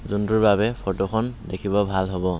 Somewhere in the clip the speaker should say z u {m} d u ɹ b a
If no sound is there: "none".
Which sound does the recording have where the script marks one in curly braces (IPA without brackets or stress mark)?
n